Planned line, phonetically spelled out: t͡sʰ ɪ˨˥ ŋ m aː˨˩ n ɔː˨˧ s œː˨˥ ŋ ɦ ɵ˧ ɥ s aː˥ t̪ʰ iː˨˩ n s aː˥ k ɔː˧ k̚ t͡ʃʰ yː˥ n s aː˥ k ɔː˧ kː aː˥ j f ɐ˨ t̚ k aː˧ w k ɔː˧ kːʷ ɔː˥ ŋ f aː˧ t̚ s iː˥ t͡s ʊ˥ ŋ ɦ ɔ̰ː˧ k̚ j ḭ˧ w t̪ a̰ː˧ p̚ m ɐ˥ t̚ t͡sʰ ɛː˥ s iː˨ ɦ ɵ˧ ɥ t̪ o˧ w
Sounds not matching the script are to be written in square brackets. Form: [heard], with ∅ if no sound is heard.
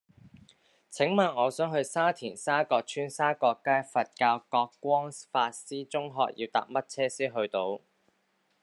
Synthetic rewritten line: t͡sʰ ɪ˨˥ ŋ m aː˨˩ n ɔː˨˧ s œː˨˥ ŋ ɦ ɵ˧ ɥ s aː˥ t̪ʰ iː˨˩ n s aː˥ k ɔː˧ k̚ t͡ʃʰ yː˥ n s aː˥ k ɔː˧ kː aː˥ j f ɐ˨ t̚ k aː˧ w k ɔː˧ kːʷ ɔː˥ ŋ f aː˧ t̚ s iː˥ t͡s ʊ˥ ŋ ɦ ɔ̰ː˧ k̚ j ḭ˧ w t̪ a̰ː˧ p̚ m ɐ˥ t̚ t͡sʰ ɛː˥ s [iː˥] ɦ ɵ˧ ɥ t̪ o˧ w